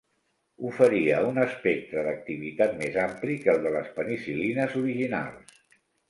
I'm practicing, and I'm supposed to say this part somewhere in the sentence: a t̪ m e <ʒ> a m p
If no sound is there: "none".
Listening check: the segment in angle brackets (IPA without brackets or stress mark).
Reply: z